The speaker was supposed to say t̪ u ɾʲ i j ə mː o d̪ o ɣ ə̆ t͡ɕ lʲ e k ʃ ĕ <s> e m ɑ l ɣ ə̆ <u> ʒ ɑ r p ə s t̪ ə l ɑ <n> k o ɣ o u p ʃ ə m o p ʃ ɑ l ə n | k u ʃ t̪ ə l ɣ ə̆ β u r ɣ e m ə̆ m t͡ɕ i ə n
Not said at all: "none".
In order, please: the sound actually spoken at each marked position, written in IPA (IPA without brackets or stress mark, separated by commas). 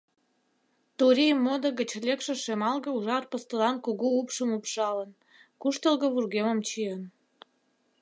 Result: ʃ, u, n